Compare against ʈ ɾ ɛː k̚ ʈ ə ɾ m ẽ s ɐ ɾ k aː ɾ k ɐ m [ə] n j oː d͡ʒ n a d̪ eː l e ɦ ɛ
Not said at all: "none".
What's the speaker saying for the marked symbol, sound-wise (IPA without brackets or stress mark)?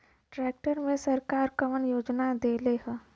ə